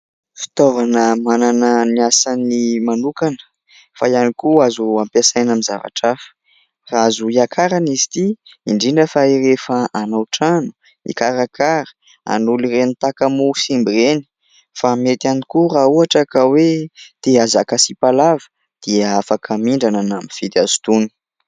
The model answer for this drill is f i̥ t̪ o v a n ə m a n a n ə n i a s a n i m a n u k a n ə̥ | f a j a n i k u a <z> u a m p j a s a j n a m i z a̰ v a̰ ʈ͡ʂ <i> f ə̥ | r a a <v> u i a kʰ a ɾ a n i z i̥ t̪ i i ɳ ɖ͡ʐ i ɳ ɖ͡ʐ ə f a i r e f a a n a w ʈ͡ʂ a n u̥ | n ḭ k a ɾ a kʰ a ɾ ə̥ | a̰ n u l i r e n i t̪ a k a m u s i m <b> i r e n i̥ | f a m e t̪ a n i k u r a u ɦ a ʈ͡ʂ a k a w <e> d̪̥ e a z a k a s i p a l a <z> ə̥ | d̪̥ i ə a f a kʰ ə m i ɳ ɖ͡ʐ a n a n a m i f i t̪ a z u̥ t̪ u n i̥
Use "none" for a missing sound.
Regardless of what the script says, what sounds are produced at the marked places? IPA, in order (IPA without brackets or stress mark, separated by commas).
z, a, z, b, e, v